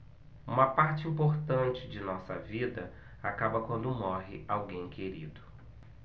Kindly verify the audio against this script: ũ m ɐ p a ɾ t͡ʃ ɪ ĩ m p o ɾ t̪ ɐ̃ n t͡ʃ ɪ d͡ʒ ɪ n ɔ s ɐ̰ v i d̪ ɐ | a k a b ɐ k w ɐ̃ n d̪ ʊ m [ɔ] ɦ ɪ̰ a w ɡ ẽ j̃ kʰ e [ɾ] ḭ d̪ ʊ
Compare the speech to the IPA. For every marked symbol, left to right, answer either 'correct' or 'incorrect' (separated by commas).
correct, correct